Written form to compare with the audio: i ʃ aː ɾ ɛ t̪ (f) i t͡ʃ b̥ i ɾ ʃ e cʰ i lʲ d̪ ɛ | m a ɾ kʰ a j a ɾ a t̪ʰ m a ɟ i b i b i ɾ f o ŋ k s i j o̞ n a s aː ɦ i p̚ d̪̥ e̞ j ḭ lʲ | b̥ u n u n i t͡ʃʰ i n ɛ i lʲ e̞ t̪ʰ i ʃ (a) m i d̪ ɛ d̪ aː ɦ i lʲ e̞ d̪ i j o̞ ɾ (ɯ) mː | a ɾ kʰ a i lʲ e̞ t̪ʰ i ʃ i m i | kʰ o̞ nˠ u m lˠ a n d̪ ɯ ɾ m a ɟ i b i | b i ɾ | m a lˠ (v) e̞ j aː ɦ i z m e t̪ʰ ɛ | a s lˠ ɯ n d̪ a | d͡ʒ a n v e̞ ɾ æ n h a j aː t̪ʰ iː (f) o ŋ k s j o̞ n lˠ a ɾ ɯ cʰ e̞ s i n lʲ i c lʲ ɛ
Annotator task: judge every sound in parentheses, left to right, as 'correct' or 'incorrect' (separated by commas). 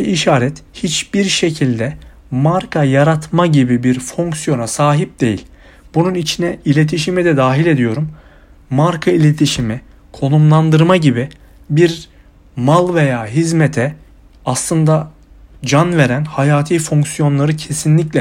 incorrect, incorrect, incorrect, correct, correct